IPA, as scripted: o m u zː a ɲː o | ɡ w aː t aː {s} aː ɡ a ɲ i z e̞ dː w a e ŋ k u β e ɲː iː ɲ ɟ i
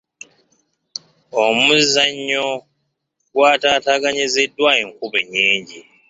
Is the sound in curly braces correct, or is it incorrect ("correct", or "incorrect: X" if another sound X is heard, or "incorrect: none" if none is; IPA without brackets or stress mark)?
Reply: incorrect: t